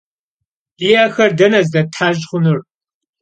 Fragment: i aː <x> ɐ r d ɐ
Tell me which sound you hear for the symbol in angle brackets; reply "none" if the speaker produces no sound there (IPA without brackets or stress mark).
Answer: x